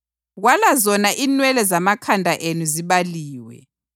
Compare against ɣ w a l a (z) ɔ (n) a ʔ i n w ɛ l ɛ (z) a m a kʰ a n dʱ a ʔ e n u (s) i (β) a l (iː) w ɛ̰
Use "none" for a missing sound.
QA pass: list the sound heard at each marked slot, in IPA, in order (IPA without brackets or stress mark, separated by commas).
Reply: z, n, z, z, β, iː